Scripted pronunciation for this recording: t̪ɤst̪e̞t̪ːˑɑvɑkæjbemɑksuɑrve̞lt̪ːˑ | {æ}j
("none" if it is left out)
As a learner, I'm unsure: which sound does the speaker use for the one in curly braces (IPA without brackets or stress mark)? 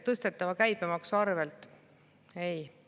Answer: e